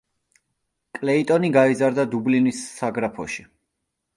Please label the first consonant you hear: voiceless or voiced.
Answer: voiceless